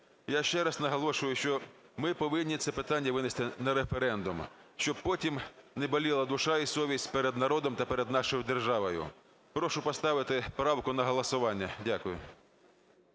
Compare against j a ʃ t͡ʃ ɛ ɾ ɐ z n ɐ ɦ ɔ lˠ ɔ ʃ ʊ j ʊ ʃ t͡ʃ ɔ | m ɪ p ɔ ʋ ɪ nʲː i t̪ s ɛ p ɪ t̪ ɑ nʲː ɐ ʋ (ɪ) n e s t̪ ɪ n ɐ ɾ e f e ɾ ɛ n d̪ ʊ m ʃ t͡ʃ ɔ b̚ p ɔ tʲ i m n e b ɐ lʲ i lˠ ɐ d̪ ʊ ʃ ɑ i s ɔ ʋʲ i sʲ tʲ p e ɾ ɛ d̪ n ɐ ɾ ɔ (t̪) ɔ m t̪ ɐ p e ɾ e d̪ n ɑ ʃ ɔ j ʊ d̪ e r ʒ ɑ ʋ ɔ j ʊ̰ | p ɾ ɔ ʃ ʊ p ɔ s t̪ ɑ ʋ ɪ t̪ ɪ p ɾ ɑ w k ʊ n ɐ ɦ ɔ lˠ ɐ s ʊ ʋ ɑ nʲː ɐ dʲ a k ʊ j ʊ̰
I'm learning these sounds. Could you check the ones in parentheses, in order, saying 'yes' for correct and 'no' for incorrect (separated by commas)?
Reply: yes, no